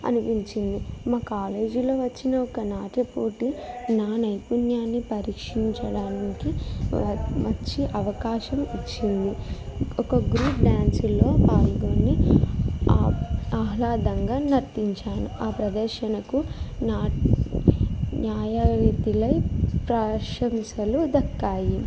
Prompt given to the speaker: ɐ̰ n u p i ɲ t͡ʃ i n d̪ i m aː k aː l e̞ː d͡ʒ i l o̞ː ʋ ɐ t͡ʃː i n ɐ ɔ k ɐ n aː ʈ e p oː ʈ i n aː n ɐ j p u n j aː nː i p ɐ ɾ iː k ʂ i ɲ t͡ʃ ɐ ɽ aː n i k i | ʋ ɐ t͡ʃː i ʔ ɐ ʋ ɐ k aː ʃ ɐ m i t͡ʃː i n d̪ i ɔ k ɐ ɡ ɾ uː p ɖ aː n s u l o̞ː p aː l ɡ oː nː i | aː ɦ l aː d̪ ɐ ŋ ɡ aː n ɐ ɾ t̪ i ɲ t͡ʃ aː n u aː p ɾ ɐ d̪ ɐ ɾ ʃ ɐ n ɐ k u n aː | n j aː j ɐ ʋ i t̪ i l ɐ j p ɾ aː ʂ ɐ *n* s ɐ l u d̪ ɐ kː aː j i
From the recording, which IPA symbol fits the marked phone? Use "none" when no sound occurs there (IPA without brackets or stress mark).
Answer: m